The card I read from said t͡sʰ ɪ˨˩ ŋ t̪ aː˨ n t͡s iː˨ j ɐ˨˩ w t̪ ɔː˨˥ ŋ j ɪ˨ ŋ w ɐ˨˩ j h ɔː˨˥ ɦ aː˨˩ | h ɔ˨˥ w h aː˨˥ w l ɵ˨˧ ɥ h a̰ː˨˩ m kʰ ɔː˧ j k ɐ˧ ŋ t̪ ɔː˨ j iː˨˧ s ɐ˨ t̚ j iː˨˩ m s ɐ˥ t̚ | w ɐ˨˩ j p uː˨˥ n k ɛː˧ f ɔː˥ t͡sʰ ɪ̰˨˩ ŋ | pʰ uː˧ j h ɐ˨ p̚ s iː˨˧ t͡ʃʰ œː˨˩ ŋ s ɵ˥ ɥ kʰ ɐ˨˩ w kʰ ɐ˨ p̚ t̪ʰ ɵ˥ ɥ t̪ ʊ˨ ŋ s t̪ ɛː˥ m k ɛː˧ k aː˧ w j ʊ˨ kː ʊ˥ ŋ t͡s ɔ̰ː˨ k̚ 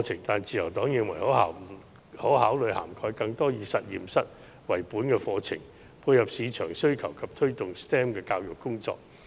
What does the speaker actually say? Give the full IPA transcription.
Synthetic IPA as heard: t͡sʰ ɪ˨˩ ŋ t̪ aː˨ n t͡s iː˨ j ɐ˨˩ w t̪ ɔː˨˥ ŋ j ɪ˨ ŋ w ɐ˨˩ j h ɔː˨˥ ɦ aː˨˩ | h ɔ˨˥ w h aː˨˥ w l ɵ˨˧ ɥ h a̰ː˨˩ m kʰ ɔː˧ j k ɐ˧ ŋ t̪ ɔː˥ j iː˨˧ s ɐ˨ t̚ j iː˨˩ m s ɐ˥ t̚ | w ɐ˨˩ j p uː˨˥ n k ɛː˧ f ɔː˧ t͡sʰ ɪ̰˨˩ ŋ | pʰ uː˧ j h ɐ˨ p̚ s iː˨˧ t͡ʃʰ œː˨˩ ŋ s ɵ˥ ɥ kʰ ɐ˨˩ w kʰ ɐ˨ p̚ t̪ʰ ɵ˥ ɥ t̪ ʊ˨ ŋ s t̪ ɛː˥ m k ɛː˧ k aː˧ w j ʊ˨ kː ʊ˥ ŋ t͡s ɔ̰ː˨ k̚